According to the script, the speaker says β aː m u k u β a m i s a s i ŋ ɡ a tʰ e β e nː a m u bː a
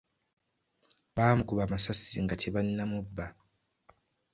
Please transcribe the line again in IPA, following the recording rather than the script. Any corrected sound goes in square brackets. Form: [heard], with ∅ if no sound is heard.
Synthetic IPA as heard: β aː m u k u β a m [a] s a s i ŋ ɡ a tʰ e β [a] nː a m u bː a